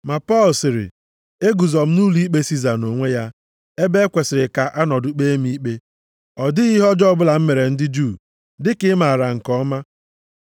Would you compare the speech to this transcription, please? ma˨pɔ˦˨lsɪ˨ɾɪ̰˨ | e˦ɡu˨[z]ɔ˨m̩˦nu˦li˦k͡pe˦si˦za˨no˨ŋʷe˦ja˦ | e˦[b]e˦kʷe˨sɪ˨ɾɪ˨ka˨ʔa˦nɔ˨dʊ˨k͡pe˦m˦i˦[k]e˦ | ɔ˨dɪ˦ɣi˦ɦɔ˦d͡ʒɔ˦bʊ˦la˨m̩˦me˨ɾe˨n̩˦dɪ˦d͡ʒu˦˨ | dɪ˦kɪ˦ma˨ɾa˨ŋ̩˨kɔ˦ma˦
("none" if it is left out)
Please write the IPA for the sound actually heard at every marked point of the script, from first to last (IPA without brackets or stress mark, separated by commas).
z, b, k͡p